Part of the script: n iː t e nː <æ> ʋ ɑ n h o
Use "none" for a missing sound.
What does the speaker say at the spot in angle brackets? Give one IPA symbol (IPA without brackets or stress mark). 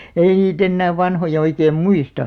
æː